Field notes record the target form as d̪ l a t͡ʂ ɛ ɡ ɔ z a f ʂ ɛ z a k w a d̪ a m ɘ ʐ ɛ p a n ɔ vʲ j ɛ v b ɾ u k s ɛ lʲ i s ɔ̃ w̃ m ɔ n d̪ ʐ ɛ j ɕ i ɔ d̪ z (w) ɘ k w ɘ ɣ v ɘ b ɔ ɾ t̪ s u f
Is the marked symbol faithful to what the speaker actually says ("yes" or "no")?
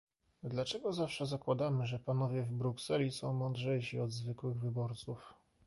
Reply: no